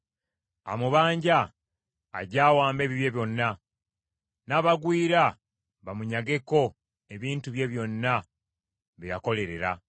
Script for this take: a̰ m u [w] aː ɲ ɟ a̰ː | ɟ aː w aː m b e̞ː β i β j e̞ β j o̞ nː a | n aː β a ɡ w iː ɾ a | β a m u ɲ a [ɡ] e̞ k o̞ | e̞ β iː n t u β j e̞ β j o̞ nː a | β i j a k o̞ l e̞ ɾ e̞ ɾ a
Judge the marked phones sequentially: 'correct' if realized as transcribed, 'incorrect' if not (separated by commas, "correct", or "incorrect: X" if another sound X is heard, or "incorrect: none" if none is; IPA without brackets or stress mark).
incorrect: β, correct